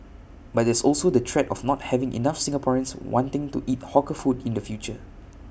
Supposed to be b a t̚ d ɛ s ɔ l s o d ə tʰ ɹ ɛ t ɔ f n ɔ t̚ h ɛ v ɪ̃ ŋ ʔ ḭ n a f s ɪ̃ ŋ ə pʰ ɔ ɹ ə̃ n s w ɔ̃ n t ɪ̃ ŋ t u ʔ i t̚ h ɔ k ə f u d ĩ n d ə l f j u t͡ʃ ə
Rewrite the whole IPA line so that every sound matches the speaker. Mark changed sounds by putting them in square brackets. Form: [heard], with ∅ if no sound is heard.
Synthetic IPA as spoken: b a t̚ d ɛ s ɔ l s o d ə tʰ ɹ ɛ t ɔ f n ɔ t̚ h ɛ v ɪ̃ ŋ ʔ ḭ n a f s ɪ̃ ŋ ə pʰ ɔ ɹ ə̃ n s w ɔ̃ n t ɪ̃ ŋ t u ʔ i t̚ h ɔ k ə f u d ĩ n d ə [∅] f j u t͡ʃ ə